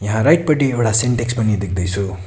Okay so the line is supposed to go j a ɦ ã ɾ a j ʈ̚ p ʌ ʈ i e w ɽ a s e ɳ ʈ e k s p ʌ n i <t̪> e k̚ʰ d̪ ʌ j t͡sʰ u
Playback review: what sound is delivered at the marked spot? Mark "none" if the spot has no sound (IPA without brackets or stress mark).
d̪